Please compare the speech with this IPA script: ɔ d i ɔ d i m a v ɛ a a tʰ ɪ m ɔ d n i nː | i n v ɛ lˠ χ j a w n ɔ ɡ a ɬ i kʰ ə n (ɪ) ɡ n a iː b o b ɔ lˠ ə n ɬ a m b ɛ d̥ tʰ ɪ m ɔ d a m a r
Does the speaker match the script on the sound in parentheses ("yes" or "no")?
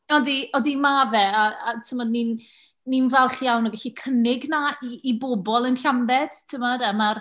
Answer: yes